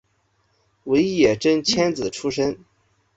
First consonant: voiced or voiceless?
voiced